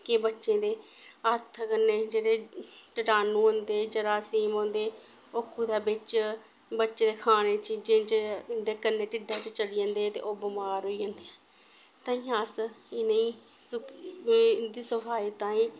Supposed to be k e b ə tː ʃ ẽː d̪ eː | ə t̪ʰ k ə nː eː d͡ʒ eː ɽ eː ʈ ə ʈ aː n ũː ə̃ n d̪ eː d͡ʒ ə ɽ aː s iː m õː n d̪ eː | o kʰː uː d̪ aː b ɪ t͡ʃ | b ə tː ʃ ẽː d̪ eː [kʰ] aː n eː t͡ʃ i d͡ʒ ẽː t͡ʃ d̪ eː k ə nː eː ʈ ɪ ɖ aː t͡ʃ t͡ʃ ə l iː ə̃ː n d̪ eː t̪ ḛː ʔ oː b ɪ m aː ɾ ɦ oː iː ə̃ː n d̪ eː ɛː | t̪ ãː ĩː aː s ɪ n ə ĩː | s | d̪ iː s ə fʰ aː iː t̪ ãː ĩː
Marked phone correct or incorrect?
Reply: correct